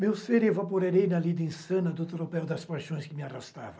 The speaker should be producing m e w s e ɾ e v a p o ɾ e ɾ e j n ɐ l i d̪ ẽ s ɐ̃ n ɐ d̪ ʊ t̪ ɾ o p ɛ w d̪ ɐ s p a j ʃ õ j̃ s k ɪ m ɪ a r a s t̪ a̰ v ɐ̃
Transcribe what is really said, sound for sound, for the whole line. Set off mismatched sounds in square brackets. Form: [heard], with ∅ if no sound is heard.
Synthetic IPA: m e w s e ɾ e v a p o ɾ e ɾ e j n ɐ l i d̪ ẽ s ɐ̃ n ɐ d̪ ʊ t̪ ɾ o p ɛ w d̪ ɐ s p a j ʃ õ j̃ s k ɪ m ɪ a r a s t̪ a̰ v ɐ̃